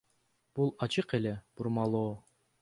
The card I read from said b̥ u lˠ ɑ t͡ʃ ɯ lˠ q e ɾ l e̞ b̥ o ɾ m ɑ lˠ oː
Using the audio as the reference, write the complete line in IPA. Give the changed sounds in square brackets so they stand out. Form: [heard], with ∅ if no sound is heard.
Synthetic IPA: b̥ u lˠ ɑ t͡ʃ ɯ [∅] q e [∅] l e̞ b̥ [u] ɾ m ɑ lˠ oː

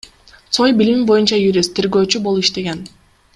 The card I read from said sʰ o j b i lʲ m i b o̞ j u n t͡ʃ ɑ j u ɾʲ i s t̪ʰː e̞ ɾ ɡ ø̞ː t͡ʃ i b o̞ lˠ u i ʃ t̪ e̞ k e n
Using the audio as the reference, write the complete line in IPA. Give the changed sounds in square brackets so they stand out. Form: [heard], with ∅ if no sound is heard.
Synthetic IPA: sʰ o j b i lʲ m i b o̞ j u n t͡ʃ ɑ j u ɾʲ i s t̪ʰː e̞ ɾ ɡ ø̞ː t͡ʃ [y] b o̞ lˠ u i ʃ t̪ e̞ [ɡ] e n

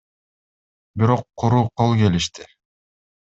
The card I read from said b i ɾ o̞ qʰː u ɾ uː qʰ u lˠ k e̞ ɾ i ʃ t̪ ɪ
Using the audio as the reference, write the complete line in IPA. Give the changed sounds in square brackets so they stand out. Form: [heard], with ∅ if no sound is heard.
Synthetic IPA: b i ɾ o̞ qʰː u ɾ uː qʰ [o] lˠ k e̞ [l] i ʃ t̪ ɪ

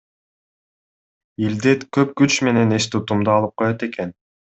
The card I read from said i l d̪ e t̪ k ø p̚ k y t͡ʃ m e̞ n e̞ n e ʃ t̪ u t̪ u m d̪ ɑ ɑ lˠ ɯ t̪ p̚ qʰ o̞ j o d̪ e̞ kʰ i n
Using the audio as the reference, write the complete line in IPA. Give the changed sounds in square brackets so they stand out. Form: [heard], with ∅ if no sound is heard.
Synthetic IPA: i l d̪ e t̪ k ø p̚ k y t͡ʃ m e̞ n e̞ n e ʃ t̪ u t̪ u m d̪ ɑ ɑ lˠ ɯ [∅] p̚ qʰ o̞ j o [t̪] e̞ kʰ [e] n

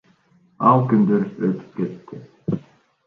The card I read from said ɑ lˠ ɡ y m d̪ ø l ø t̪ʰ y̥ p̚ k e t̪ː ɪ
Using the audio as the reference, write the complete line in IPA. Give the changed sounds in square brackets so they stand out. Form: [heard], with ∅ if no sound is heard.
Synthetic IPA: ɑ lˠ [k] y [n] d̪ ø [ɾ] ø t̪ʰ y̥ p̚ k e t̪ː ɪ

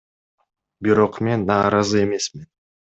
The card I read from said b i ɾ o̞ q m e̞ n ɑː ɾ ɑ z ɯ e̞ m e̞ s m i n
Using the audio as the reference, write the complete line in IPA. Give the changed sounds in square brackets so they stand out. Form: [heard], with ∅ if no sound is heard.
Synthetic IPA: b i ɾ o̞ q m e̞ [nː] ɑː ɾ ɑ z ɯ e̞ m e̞ s m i n

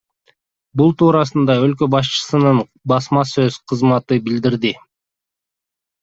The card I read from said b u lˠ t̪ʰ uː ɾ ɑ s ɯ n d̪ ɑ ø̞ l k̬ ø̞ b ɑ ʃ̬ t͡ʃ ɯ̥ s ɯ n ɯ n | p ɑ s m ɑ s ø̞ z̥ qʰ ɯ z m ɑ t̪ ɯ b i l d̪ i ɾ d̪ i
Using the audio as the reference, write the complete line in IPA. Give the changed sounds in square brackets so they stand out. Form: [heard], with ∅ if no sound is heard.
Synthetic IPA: b u lˠ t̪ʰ uː ɾ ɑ s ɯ n d̪ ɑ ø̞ l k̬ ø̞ b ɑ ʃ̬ t͡ʃ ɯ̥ s ɯ n ɯ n | [b] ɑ s m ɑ s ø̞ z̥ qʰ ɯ z m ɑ t̪ ɯ b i l d̪ i ɾ d̪ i

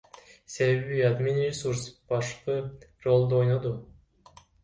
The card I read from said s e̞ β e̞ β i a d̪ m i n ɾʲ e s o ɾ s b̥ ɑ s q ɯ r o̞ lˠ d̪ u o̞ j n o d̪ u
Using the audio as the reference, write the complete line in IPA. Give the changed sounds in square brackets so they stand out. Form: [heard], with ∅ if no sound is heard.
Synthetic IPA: s e̞ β e̞ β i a d̪ m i n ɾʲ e s [u] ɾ s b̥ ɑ [ʃ] q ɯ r o̞ lˠ d̪ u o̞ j n o d̪ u

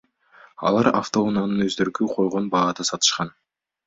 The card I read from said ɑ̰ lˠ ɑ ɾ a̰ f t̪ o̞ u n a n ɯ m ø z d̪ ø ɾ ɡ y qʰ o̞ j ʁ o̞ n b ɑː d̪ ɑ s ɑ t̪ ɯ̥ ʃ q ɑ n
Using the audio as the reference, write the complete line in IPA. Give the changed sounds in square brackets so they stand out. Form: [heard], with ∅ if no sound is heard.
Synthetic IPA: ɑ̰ lˠ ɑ ɾ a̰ f t̪ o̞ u n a n ɯ [n] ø z d̪ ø ɾ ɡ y qʰ o̞ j ʁ o̞ n b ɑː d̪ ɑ s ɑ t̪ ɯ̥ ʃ q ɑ n

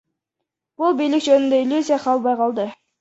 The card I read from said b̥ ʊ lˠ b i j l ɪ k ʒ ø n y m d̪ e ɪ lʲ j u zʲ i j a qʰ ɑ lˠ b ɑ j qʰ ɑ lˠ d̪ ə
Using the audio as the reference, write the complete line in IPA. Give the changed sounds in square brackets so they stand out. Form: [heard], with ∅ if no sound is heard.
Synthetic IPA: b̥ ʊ lˠ b i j l ɪ k ʒ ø n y [n] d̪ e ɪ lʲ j u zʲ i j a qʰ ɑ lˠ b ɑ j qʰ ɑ lˠ d̪ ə

